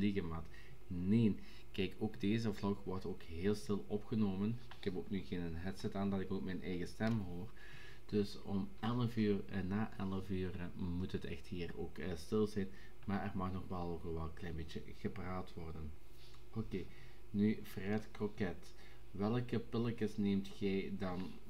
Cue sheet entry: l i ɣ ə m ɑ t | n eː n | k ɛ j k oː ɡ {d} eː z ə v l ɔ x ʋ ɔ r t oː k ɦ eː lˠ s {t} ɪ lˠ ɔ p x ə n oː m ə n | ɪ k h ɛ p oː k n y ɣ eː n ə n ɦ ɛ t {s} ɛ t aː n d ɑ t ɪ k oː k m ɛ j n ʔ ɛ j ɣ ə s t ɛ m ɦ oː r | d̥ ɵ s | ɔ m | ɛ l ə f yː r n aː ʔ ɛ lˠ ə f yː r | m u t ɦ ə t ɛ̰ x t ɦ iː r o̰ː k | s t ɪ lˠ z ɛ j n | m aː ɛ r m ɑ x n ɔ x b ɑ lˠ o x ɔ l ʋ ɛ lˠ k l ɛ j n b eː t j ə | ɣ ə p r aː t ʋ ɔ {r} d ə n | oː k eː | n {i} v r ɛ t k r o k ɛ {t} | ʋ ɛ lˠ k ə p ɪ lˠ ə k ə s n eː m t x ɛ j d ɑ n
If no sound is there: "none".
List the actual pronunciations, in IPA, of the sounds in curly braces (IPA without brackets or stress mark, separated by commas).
d, t, s, r, y, t